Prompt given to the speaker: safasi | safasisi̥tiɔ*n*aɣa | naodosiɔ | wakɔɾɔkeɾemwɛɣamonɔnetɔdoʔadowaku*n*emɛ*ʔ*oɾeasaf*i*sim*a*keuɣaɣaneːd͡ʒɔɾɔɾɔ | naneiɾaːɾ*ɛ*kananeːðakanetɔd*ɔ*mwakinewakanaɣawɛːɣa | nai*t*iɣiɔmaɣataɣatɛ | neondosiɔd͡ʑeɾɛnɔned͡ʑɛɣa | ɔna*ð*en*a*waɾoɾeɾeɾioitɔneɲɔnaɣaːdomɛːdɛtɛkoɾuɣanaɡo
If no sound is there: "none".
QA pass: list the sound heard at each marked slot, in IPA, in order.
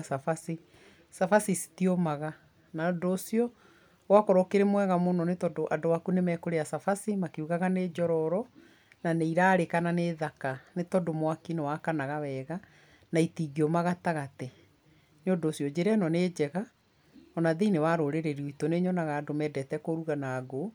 m, n, k, a, a, e, o, t, ð, e

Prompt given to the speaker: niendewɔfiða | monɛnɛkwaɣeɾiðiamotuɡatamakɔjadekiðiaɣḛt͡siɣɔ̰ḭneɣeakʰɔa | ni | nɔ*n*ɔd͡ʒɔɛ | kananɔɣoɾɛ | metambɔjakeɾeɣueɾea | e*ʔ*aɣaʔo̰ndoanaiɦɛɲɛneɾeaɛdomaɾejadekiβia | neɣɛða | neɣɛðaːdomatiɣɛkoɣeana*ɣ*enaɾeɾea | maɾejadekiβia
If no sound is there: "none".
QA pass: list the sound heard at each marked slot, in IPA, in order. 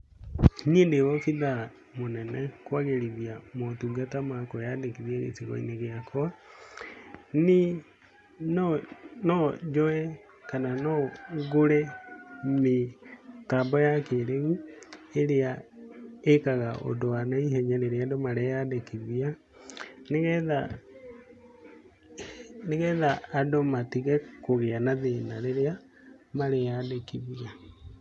n, k, ð

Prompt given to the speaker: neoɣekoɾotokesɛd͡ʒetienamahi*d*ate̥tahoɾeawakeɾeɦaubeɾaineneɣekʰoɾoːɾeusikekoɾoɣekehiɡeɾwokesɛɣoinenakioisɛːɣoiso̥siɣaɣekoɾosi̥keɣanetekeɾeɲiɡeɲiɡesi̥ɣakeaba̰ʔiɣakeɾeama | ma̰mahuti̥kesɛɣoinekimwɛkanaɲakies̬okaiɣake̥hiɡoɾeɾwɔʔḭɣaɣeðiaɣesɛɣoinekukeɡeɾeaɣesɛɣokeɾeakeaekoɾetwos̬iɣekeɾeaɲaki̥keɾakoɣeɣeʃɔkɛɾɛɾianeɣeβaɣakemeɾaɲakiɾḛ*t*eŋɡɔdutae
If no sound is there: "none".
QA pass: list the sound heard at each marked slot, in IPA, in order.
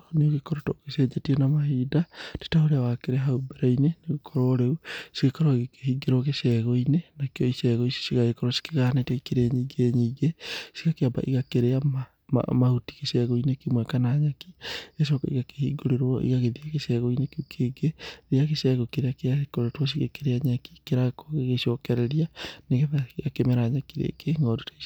d, k

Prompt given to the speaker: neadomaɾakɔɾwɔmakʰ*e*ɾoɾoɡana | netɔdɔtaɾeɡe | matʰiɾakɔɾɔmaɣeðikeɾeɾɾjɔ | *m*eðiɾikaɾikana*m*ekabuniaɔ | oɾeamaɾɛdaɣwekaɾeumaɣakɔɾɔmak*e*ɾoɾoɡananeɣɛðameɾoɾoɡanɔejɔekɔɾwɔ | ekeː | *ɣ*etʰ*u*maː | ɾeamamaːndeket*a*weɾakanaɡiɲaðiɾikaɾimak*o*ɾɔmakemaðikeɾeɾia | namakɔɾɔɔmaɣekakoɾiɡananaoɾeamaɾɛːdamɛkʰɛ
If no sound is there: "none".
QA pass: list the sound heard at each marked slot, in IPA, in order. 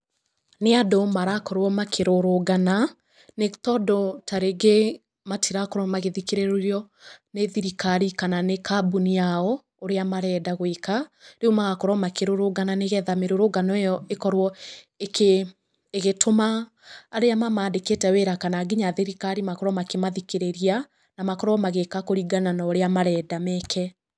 e, n, n, e, ɣ, o, ɛ, ɔ

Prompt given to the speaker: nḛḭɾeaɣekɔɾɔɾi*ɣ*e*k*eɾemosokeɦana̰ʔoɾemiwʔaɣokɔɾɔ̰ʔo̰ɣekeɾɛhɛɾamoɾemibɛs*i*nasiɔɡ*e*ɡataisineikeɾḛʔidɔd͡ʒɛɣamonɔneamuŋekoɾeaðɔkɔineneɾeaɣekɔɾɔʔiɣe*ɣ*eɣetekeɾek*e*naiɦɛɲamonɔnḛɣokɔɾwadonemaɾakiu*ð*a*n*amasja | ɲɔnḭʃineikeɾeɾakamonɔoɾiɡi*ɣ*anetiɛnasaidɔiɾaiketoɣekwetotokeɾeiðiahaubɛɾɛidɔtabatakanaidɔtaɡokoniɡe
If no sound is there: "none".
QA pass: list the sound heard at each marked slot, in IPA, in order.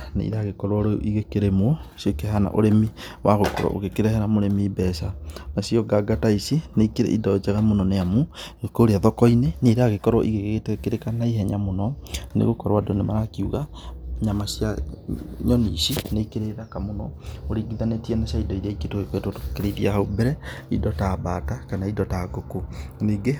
ɣ, k, a, a, ɣ, a, ɣ, ɲ, ð

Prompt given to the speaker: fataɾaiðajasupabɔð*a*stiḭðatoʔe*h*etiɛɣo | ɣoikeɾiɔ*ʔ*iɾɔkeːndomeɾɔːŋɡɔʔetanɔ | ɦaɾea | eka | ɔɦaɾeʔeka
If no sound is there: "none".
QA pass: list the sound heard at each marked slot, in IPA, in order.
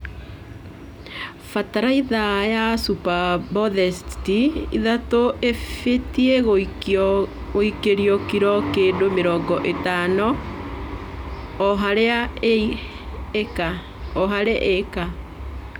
ɛ, f, k

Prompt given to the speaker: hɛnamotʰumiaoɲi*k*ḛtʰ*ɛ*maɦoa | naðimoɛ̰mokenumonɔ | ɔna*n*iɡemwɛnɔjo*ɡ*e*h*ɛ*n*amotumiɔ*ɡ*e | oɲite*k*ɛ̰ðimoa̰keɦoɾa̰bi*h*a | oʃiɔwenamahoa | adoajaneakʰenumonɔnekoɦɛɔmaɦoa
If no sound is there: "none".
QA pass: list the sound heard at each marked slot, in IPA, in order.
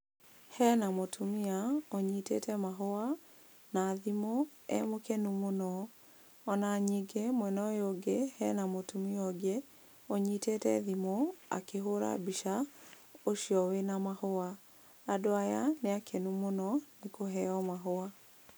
t, ɛ, ɲ, ɡ, h, n, ɡ, t, ʃ

